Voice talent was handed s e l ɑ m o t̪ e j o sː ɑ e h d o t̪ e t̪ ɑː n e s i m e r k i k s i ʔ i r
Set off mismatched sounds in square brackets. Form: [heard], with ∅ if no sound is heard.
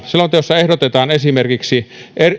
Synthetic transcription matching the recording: s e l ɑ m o t̪ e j o sː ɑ e h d o t̪ e t̪ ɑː n e s i m e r k i k s i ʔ [e] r